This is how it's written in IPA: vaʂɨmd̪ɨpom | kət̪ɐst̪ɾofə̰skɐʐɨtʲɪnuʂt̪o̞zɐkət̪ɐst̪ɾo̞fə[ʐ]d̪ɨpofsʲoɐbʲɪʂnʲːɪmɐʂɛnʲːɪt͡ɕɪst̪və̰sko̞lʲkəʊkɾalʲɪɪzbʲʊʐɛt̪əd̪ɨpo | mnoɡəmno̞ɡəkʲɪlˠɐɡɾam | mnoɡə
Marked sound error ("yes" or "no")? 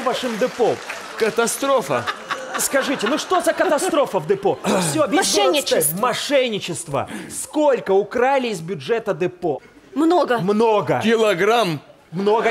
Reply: yes